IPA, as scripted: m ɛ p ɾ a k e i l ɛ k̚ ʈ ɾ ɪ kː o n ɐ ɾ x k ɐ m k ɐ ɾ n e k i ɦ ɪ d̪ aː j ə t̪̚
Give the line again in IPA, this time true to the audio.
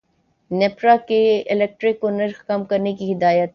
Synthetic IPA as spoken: n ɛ p ɾ a k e ɪ l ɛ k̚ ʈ ɾ ɪ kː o n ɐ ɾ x k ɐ m k ɐ ɾ n e k i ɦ ɪ d̪ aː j ə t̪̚